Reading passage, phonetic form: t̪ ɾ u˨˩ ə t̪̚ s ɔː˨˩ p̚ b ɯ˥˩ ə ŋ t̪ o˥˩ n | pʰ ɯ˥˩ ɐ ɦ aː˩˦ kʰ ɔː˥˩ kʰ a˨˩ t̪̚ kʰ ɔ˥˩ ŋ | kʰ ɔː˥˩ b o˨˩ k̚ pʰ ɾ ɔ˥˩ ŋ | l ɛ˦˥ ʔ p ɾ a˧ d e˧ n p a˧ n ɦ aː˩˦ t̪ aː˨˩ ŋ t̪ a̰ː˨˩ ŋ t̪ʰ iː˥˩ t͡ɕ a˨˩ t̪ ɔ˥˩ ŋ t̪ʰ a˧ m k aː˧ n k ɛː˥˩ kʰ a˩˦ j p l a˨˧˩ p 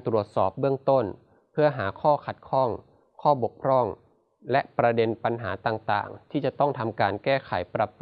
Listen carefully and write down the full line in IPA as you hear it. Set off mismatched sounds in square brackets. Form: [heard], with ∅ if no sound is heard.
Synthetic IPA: t̪ ɾ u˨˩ ə t̪̚ s ɔː˨˩ p̚ b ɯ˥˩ ə ŋ t̪ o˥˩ n | pʰ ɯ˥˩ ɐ ɦ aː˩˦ kʰ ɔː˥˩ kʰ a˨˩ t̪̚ kʰ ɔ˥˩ ŋ | kʰ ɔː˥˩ b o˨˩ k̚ pʰ ɾ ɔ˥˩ ŋ | l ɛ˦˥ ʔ p ɾ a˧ d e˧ n p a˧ n ɦ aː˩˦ t̪ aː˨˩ ŋ t̪ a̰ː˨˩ ŋ t̪ʰ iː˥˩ t͡ɕ a˨˩ t̪ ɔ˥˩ ŋ t̪ʰ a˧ m k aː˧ n k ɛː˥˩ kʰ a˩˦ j p [ɾ] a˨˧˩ p